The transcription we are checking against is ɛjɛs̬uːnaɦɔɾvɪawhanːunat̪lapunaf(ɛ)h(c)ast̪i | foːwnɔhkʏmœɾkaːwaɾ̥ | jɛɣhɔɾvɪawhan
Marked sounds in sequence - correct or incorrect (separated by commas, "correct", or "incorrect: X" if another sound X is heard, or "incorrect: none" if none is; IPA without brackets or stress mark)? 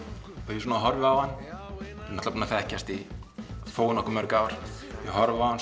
correct, correct